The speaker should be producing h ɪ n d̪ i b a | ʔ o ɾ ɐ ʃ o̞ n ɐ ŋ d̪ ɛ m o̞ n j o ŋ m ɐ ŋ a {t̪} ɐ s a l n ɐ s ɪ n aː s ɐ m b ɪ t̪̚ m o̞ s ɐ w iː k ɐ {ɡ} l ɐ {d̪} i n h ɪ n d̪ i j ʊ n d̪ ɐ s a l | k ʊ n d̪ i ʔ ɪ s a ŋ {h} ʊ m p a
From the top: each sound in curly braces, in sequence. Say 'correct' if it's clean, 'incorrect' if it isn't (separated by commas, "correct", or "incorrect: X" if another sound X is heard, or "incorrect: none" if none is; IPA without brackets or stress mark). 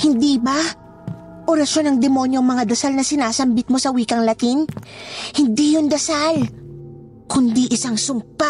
incorrect: d̪, incorrect: ŋ, incorrect: t̪, incorrect: s